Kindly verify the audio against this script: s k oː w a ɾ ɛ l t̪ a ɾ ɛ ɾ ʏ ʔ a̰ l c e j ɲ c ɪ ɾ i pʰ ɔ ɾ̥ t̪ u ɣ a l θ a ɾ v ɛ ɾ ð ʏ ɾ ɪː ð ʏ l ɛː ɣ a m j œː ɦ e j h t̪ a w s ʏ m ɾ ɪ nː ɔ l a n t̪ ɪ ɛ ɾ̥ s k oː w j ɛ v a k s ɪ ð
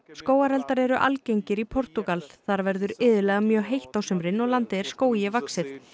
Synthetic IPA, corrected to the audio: s k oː w a ɾ ɛ l t̪ a ɾ ɛ ɾ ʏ ʔ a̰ l c e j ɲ c ɪ ɾ i pʰ ɔ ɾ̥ t̪ u ɣ a l θ a ɾ v ɛ ɾ ð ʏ ɾ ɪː ð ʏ l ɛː ɣ a m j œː ɦ e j h t̪ a w s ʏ m ɾ ɪ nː ɔ l a n t̪ ɪ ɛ ɾ̥ s k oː w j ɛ v a k s ɪ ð